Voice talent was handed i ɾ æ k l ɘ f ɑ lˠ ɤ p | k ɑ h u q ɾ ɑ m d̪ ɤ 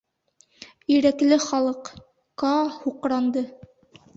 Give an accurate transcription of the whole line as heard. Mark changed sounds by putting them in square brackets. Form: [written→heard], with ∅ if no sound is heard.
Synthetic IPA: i ɾ æ k l ɘ [f→χ] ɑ lˠ ɤ [p→q] | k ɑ h u q ɾ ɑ [m→n] d̪ ɤ

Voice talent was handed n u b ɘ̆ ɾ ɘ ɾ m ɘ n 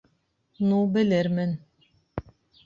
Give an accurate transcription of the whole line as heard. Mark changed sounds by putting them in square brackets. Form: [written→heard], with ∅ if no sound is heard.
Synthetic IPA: n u b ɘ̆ [ɾ→l] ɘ ɾ m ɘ n

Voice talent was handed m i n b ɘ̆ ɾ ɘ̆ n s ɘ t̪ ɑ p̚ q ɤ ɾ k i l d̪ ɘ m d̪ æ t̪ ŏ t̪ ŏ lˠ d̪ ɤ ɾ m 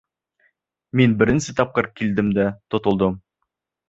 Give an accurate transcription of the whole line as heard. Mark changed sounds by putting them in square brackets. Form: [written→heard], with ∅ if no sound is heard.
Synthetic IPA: m i n b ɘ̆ ɾ ɘ̆ n s ɘ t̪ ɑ p̚ q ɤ ɾ k i l d̪ ɘ m d̪ æ t̪ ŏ t̪ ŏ lˠ d̪ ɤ [ɾ→∅] m

